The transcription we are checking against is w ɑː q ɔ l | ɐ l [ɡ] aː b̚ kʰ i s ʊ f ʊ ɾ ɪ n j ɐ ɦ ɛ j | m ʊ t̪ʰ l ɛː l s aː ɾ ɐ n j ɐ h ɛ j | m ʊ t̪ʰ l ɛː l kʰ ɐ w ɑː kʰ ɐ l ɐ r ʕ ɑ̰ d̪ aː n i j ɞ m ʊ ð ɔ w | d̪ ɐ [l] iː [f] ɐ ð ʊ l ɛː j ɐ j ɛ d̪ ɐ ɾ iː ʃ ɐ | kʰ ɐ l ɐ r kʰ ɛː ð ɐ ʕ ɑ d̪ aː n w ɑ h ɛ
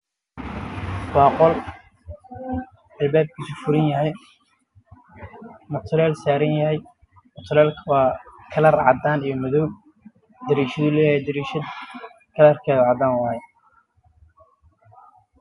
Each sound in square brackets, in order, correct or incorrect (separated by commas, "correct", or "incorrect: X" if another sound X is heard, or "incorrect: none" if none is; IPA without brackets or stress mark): incorrect: b, incorrect: ɾ, incorrect: ʃ